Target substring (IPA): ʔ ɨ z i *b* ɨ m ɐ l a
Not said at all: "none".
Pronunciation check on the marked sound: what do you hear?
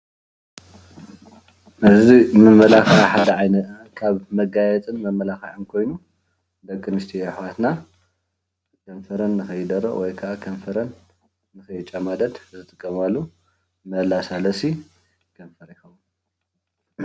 m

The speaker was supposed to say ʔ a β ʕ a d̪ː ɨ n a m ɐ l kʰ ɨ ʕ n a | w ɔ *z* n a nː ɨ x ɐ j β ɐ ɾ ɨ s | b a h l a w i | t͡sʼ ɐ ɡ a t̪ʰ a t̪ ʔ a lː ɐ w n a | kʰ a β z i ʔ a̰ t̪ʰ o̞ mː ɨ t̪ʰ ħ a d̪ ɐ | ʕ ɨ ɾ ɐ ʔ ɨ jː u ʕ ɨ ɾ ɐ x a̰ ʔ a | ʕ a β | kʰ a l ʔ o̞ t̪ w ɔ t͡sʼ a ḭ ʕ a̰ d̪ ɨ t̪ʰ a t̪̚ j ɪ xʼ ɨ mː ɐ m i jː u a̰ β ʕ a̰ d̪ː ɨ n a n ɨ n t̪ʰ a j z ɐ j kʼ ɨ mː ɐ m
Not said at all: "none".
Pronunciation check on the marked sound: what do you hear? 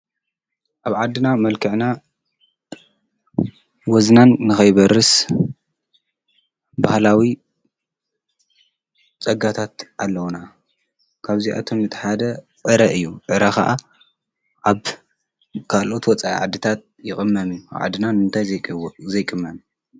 z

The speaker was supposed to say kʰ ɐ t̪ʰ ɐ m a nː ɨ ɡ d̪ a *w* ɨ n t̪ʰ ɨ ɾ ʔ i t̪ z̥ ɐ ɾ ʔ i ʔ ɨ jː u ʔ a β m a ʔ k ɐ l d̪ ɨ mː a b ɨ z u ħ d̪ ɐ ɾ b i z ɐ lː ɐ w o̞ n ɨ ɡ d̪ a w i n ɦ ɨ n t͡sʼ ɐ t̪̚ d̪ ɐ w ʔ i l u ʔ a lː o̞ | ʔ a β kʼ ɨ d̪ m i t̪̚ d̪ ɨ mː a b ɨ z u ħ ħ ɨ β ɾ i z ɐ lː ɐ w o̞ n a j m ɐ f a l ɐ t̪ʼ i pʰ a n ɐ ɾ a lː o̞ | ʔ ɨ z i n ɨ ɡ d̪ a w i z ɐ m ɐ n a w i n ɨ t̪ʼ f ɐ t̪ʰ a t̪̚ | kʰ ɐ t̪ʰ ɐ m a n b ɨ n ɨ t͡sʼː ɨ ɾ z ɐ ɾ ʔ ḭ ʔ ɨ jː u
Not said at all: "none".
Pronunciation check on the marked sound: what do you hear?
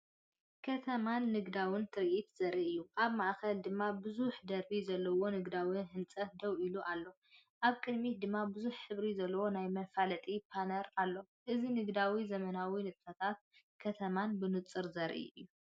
w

